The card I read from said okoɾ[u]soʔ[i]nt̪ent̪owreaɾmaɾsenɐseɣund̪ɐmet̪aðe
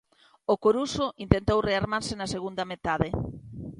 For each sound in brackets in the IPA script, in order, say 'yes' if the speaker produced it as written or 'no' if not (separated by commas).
yes, yes